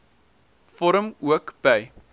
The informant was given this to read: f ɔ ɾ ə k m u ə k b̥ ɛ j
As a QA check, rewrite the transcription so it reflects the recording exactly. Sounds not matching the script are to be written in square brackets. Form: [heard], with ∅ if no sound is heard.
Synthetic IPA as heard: f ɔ ɾ ə [∅] m u ə k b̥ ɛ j